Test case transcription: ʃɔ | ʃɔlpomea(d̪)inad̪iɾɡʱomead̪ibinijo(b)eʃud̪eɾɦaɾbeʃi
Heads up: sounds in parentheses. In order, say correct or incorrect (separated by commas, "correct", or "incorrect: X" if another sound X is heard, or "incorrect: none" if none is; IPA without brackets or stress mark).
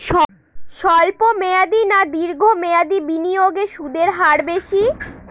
correct, incorrect: ɡ